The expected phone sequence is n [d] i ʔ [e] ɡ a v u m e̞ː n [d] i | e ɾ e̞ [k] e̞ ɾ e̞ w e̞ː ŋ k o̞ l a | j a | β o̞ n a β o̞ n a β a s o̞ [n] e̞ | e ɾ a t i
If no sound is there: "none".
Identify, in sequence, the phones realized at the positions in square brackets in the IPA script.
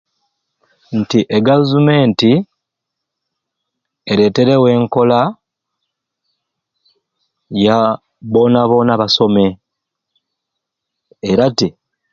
t, e, t, t, m

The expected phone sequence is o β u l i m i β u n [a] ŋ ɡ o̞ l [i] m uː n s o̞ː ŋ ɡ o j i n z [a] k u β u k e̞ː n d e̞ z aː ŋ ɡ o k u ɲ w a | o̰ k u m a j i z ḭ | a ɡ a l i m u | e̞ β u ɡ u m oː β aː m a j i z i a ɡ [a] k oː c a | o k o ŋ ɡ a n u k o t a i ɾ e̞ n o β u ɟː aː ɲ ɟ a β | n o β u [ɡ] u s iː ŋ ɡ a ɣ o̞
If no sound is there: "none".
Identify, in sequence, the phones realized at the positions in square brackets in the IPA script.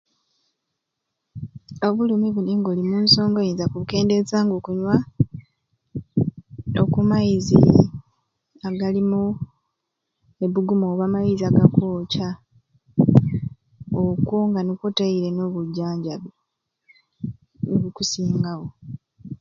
i, i, a, a, k

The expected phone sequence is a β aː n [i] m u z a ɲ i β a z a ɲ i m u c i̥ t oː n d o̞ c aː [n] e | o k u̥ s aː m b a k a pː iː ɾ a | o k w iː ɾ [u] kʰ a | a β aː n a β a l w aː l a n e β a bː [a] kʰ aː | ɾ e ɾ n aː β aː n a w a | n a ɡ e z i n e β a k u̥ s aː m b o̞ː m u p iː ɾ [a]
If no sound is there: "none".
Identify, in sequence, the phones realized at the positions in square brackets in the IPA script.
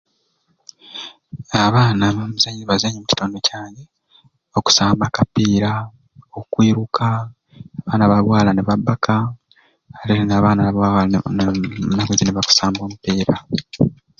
a, ɲ, u, a, a

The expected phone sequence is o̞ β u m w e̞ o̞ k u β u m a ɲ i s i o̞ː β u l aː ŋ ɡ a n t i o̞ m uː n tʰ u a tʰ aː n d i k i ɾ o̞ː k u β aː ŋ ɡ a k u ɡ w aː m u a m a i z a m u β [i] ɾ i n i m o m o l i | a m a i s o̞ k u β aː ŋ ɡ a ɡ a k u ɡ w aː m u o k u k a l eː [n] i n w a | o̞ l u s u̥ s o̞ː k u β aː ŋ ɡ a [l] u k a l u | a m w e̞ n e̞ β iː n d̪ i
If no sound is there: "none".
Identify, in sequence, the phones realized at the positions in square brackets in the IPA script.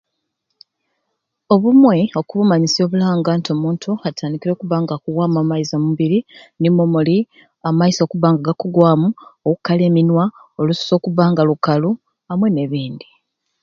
i, m, l

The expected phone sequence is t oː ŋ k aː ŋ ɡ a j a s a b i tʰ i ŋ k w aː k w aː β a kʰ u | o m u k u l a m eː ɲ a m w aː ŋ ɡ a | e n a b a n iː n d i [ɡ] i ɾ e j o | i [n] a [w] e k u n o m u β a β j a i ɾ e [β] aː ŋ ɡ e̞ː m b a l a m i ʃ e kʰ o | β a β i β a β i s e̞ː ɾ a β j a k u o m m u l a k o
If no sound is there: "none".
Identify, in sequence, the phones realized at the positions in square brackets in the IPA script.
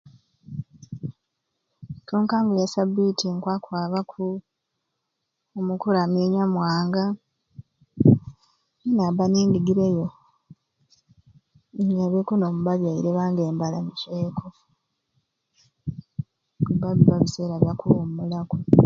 ɡ, ɲ, β, β

